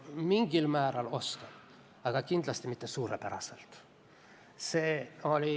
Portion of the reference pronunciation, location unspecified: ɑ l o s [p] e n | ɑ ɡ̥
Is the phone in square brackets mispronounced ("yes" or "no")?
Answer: yes